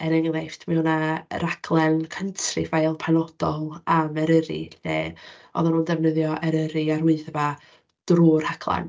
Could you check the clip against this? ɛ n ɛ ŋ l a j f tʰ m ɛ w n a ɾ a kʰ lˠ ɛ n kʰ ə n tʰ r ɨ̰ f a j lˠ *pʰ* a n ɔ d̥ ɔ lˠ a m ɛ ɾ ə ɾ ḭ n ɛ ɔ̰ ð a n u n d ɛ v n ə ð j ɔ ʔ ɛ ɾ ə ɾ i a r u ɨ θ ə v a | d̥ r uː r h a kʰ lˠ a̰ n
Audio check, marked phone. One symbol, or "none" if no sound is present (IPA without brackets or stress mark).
pʰ